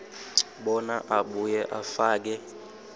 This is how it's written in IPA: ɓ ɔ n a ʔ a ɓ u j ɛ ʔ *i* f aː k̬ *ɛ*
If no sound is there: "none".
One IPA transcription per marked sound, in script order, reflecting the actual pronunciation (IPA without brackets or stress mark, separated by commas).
a, ɛ